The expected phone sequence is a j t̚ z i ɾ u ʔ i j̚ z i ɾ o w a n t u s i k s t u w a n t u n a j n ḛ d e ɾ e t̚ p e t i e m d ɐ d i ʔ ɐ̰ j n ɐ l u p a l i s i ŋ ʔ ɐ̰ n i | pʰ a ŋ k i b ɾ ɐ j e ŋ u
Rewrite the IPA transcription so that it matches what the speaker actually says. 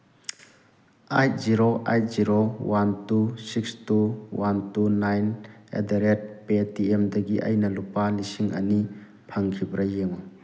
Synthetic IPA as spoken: a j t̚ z i ɾ o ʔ a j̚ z i ɾ o w a n t u s i k s t u w a n t u n a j n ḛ d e ɾ e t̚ p e t i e m d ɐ ɡ i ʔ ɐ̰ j n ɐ l u p a l i s i ŋ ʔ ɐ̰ n i | pʰ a ŋ kʰ i b ɾ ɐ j e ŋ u